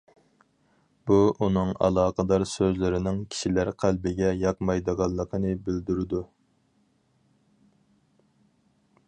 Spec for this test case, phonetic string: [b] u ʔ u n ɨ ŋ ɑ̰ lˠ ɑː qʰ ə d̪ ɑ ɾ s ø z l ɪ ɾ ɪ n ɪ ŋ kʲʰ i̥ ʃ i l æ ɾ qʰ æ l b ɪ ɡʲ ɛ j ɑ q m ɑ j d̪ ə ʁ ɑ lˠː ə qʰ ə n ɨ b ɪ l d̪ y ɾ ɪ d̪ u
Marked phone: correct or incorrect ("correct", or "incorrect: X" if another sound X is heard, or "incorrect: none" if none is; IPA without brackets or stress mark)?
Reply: correct